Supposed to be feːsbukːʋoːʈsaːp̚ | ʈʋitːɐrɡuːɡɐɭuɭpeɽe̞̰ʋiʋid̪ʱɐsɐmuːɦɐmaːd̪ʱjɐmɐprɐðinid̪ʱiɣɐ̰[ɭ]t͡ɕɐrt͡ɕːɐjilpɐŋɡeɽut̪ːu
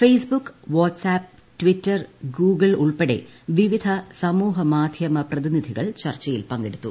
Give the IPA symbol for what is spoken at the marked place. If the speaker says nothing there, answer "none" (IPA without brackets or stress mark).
ɭ